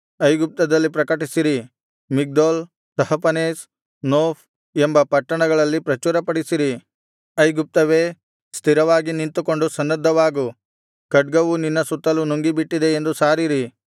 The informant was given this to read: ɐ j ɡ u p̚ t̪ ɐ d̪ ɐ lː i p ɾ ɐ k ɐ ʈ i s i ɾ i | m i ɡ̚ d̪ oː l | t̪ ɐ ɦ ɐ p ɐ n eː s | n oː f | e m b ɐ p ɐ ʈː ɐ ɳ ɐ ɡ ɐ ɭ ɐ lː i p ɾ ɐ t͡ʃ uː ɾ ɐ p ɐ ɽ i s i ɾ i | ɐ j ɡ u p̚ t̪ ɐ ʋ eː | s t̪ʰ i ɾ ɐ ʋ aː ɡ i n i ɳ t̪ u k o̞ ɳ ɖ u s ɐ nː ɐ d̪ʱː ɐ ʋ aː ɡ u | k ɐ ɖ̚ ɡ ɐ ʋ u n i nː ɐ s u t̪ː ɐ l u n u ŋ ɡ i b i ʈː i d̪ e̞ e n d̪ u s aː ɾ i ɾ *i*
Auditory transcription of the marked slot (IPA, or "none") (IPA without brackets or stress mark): i